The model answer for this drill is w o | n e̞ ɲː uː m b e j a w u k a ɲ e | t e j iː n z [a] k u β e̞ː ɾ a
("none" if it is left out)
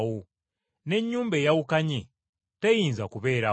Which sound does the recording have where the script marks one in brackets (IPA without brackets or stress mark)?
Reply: a